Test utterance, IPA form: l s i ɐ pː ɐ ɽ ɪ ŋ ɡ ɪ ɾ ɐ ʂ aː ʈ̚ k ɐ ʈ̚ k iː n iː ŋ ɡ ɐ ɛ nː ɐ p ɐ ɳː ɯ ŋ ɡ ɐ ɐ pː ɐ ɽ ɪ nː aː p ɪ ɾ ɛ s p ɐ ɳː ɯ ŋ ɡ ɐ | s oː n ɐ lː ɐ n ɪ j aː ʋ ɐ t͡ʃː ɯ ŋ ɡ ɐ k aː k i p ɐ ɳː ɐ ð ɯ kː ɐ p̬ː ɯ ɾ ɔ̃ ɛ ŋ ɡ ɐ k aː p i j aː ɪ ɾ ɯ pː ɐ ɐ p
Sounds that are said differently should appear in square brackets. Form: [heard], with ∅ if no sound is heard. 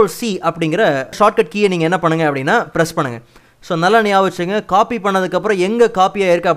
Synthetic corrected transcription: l s i ɐ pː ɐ ɽ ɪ ŋ ɡ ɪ ɾ ɐ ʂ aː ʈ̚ k ɐ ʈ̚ k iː n iː ŋ ɡ ɐ ɛ nː ɐ p ɐ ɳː ɯ ŋ ɡ ɐ ɐ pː ɐ ɽ ɪ nː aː p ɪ ɾ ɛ s p ɐ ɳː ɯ ŋ ɡ ɐ | s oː n ɐ lː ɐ n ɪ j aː ʋ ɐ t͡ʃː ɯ ŋ ɡ ɐ k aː [p] i p ɐ ɳː ɐ ð ɯ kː ɐ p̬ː ɯ ɾ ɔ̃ ɛ ŋ ɡ ɐ k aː p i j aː ɪ ɾ ɯ [kː] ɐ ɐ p